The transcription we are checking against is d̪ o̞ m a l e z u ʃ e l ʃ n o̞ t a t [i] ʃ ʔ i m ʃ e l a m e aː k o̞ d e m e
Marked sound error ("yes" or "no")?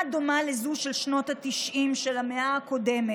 no